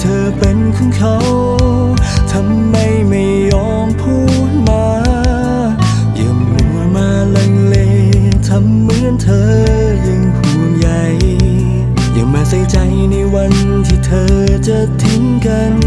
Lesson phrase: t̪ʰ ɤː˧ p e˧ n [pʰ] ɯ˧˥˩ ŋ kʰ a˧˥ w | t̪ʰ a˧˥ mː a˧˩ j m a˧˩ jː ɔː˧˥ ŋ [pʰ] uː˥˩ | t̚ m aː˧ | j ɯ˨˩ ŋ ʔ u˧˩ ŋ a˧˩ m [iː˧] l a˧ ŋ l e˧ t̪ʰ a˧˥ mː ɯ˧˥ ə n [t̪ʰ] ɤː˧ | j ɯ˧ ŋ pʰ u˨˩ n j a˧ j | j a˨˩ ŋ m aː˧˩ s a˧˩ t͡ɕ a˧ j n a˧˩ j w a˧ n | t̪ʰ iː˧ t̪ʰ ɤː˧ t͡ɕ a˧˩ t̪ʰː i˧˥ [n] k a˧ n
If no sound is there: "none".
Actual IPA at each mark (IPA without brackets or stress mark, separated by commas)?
kʰ, pʰ, aː˧, t̪ʰ, ŋ